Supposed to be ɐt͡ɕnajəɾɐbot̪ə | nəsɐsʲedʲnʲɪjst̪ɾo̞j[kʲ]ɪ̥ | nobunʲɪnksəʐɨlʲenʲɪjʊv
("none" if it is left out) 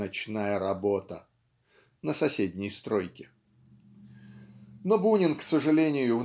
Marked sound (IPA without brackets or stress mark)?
kʲ